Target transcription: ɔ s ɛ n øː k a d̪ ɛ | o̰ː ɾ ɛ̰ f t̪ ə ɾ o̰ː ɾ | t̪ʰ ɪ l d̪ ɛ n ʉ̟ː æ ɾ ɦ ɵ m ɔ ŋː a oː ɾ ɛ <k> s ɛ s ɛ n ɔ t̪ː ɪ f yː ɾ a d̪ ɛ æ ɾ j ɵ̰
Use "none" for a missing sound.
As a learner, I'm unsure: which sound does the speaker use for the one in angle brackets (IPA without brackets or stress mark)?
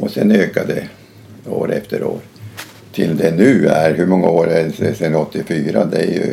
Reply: none